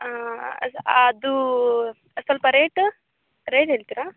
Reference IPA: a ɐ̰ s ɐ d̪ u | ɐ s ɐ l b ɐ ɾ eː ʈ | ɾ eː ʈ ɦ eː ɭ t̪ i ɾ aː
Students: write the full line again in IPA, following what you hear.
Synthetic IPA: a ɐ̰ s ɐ d̪ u | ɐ s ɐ l p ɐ ɾ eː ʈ | ɾ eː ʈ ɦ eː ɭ t̪ i ɾ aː